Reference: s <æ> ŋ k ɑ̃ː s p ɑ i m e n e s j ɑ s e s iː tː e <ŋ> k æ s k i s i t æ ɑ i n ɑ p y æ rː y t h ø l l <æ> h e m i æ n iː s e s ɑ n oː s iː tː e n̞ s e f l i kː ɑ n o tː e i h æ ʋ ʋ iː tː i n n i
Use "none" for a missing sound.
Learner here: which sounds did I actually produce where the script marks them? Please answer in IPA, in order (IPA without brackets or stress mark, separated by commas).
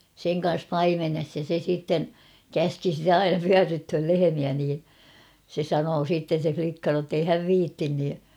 e, n, e